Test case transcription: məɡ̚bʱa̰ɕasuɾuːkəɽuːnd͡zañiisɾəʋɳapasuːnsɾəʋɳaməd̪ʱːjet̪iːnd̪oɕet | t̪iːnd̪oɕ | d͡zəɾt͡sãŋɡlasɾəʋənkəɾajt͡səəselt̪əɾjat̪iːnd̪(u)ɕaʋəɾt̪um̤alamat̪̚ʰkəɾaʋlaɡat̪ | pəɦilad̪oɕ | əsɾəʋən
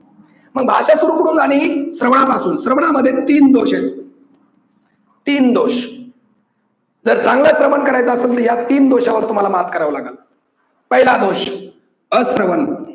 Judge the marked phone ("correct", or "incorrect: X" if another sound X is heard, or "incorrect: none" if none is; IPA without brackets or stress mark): incorrect: o